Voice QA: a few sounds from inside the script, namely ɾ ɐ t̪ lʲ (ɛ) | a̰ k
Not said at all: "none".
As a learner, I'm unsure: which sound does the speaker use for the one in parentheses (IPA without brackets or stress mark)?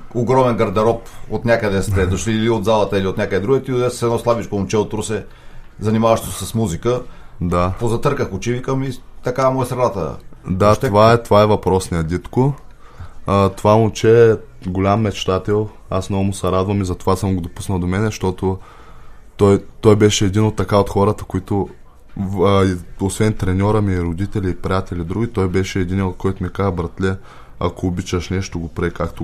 ɛ